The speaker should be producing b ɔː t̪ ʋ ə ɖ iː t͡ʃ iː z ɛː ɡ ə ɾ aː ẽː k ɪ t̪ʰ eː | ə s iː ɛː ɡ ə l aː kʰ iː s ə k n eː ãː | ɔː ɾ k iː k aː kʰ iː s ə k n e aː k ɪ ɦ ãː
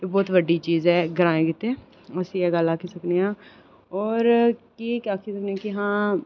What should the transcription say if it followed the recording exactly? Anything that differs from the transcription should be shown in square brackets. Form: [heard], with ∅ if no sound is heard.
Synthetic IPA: b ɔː t̪ ʋ ə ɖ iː t͡ʃ iː z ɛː ɡ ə ɾ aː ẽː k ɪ [t̪] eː | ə s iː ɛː ɡ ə l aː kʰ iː s ə k n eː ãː | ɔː ɾ k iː k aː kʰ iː s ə k n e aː k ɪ ɦ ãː